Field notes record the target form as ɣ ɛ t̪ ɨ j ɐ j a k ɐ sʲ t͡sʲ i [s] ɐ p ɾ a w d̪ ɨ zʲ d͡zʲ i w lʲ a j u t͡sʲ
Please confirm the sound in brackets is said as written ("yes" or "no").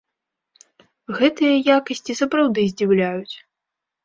yes